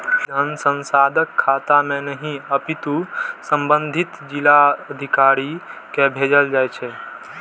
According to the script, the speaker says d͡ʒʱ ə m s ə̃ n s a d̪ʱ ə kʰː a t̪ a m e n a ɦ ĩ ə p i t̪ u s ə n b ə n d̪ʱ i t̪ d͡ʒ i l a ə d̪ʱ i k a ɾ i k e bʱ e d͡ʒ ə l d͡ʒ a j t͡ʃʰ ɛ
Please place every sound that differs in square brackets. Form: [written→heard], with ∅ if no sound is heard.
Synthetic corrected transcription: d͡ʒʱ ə [m→n] s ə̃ n s a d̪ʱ ə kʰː a t̪ a m e n [a→ə] ɦ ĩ ə p i t̪ u s ə [n→m] b ə n d̪ʱ i t̪ d͡ʒ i l a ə d̪ʱ i k a ɾ i k e bʱ e d͡ʒ ə l d͡ʒ a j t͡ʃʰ ɛ